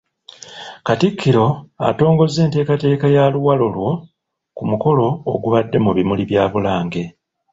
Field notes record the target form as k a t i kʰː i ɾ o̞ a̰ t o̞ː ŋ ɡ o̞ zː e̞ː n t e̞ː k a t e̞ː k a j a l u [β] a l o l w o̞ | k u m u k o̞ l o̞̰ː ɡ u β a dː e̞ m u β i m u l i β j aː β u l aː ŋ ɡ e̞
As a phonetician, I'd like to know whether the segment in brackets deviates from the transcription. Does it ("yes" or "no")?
yes